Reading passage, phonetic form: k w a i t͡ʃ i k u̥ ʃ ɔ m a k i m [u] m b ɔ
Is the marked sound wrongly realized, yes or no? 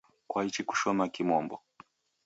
yes